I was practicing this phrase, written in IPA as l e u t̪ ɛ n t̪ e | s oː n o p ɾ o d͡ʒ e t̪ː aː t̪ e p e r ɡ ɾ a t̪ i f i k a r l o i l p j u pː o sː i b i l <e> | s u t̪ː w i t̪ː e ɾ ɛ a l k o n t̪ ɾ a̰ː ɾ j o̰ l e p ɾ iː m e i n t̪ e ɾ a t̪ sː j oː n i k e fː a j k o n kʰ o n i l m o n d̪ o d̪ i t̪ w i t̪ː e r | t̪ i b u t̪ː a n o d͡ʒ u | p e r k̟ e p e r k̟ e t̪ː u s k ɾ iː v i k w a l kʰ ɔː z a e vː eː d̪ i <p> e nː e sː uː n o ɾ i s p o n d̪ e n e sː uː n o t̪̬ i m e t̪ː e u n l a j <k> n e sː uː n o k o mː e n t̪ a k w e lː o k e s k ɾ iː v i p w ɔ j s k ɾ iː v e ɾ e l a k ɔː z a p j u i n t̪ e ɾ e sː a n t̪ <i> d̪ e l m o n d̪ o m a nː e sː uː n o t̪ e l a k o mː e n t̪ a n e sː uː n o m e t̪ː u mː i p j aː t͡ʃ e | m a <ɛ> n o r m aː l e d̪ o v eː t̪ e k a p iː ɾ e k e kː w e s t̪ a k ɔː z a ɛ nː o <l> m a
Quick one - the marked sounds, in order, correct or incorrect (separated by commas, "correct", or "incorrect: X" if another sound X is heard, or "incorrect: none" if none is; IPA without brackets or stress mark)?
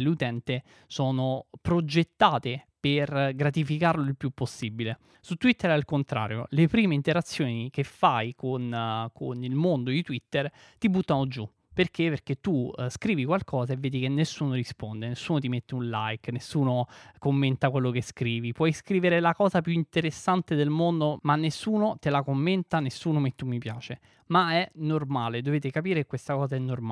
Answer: correct, incorrect: k, correct, incorrect: e, correct, incorrect: r